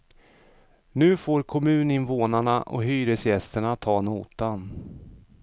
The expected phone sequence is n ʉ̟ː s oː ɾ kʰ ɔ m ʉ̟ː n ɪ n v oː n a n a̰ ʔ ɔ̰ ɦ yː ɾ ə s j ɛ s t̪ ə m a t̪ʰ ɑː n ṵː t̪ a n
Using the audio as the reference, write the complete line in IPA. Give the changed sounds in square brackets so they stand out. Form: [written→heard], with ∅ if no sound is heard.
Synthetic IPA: n ʉ̟ː [s→f] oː ɾ kʰ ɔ m ʉ̟ː n ɪ n v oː n a [n→ɳ] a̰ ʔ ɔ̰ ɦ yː ɾ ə s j ɛ s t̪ ə [m→ɳ] a t̪ʰ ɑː n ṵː t̪ a n